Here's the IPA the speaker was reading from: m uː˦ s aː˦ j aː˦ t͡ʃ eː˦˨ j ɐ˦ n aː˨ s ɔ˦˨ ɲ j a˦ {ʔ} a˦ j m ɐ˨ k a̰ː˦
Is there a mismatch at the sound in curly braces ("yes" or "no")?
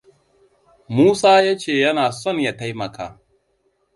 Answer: yes